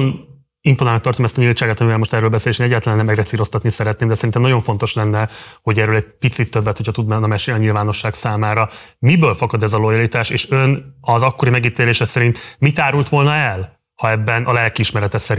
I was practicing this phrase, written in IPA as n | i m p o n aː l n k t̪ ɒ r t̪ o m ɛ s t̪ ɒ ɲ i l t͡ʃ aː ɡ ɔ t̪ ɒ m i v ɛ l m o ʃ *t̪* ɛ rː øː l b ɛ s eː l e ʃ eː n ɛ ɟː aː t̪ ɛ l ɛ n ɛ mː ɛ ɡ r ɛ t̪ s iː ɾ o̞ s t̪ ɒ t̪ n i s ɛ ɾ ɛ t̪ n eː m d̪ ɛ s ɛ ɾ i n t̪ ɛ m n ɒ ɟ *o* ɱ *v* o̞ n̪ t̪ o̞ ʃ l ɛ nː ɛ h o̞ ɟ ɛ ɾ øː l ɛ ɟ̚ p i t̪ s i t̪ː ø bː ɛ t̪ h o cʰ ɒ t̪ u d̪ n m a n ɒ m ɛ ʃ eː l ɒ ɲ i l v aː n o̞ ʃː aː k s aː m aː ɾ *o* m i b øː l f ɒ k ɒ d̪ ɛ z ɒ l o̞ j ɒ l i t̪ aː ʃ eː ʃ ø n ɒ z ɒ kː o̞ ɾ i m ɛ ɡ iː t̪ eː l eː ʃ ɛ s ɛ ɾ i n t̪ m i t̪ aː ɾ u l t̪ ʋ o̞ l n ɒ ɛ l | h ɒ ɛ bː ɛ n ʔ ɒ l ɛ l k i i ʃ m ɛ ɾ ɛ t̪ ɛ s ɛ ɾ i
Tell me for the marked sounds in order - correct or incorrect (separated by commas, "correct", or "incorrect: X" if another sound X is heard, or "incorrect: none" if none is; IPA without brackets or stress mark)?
correct, correct, incorrect: f, incorrect: ɒ